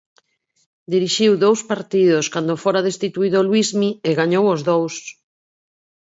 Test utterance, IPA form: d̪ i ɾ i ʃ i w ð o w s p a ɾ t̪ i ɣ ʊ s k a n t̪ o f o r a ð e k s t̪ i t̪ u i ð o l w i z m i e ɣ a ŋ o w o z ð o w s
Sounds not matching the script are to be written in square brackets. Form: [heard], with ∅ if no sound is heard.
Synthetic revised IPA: d̪ i ɾ i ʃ i w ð o w s p a ɾ t̪ i [ð] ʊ s k a n [d̪] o f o [ɾ] a ð e [∅] s t̪ i t̪ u i ð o l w i z m i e ɣ a [ɲ] o w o z ð o w s